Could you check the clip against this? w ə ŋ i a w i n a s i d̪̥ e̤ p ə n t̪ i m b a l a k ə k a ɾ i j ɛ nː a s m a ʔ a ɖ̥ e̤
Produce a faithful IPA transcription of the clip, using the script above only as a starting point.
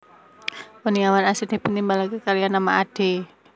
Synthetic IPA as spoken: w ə n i a w a n a s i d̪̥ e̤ p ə n t̪ i m b a l a k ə k a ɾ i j a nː a m a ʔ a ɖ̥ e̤